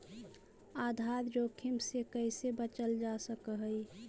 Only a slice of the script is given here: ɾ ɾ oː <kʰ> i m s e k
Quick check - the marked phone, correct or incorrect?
correct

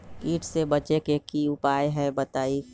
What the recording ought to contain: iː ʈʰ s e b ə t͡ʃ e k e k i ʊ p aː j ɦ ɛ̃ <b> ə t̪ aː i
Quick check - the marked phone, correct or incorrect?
correct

